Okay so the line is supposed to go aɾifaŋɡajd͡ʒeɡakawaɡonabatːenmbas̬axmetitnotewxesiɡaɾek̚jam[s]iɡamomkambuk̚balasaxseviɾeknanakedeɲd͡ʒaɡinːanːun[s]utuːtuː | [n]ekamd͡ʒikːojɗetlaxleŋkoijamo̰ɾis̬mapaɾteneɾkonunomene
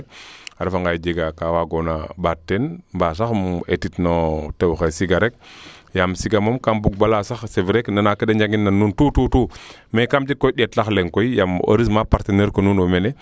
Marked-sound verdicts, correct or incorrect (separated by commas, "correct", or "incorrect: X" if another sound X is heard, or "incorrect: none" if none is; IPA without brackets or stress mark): correct, incorrect: t, incorrect: m